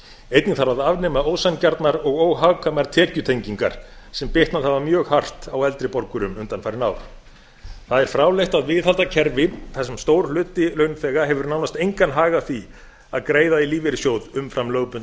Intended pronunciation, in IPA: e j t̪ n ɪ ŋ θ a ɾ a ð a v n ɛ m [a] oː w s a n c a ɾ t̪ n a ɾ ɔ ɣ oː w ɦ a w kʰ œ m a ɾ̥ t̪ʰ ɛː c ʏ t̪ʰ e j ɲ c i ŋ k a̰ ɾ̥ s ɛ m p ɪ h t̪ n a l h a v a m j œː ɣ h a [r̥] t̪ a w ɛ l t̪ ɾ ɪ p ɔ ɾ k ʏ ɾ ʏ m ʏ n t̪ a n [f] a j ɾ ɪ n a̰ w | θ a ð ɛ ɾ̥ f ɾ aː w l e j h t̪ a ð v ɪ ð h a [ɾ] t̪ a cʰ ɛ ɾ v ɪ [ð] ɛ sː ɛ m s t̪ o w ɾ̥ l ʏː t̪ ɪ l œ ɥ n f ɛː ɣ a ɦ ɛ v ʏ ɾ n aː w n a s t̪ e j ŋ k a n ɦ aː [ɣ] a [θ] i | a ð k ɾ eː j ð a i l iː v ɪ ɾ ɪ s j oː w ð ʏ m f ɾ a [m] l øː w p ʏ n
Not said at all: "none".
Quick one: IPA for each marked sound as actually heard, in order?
a, r̥, f, l, θ, ɣ, θ, m

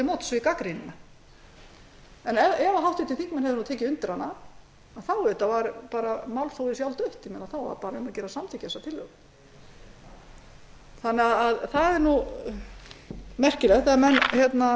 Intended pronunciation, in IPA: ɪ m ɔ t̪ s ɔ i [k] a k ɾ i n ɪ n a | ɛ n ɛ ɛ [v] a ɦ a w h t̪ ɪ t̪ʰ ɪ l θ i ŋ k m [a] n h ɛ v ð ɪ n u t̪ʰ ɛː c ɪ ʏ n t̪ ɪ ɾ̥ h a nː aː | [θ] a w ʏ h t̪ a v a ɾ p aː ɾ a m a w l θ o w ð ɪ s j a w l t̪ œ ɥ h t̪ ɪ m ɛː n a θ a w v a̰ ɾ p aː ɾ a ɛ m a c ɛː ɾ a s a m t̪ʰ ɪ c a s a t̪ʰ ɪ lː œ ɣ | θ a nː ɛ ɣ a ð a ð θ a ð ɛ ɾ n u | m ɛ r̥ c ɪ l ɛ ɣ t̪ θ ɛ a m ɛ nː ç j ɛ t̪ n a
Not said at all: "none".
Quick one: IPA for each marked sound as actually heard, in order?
k, v, ɛ, θ

